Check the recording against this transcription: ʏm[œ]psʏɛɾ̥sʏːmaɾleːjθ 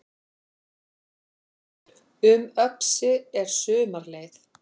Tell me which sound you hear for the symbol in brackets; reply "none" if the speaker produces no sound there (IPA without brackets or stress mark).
œ